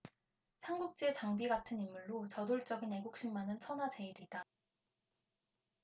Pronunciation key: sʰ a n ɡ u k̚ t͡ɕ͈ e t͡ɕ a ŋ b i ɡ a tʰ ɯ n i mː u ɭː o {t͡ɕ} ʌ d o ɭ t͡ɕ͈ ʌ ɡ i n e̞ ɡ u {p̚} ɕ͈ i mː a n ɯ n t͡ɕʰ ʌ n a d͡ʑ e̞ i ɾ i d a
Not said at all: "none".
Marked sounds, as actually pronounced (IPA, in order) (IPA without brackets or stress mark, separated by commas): t͡ɕ, k̚